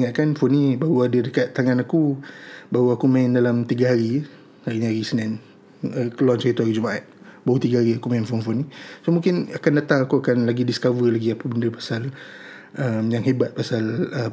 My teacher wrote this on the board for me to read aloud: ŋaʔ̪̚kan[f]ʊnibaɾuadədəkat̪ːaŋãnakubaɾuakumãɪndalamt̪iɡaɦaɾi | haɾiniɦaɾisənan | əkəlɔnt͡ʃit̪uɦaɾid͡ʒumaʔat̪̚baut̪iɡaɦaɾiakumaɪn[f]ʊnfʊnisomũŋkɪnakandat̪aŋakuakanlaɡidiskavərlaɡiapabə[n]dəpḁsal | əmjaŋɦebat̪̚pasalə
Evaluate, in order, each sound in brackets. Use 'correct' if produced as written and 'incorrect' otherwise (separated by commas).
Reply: correct, correct, correct